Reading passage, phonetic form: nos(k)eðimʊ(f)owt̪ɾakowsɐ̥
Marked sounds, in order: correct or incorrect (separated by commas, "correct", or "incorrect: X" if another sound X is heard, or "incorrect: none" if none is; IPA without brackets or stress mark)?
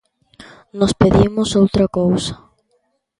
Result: incorrect: p, incorrect: s